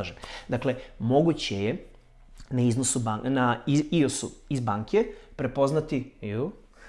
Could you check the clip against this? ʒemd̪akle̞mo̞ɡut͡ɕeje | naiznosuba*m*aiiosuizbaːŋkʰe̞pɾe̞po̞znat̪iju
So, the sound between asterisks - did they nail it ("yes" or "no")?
no